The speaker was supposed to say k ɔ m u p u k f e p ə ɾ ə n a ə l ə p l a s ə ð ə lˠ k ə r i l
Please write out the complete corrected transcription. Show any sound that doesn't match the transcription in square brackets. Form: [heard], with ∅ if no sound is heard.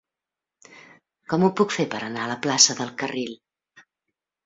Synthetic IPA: k ɔ m u p u k f e p ə ɾ ə n a ə l ə p l a s ə ð ə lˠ k ə r i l